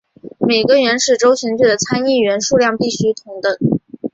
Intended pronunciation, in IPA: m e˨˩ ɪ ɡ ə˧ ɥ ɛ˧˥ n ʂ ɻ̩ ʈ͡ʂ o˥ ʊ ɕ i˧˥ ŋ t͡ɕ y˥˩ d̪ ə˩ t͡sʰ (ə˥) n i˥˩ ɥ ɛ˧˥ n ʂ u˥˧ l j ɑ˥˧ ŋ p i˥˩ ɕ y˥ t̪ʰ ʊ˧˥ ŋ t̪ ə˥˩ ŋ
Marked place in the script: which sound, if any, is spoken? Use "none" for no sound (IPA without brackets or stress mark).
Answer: a˥